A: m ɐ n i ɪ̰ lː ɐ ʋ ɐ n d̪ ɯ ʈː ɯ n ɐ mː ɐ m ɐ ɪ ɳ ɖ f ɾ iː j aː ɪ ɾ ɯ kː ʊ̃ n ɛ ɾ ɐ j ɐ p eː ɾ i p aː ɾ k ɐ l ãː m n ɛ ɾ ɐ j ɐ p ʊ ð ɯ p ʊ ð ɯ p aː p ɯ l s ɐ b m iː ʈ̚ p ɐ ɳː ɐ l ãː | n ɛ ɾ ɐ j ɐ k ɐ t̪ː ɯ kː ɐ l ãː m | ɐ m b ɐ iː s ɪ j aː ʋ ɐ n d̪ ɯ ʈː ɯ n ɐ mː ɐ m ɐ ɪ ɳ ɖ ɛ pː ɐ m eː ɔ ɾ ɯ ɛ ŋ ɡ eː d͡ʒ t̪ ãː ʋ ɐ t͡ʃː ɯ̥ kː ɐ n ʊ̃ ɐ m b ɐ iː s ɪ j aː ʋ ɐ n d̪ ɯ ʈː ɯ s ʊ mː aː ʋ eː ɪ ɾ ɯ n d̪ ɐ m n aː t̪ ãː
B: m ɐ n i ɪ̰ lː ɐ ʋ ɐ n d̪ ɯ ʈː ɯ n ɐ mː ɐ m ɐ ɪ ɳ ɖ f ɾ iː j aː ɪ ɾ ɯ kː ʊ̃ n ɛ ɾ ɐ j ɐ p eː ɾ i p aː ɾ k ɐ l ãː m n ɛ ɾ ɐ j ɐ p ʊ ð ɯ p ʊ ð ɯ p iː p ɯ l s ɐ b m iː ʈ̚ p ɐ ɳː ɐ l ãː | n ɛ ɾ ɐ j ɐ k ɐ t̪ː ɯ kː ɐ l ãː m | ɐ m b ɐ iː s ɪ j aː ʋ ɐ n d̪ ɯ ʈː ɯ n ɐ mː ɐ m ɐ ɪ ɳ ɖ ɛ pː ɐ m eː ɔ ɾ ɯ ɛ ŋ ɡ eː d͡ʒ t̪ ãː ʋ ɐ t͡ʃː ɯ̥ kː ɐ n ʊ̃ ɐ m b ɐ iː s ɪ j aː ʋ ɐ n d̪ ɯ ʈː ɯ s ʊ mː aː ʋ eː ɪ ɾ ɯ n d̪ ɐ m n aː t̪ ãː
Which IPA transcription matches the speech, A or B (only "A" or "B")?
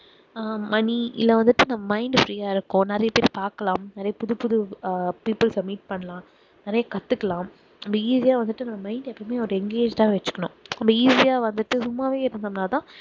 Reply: B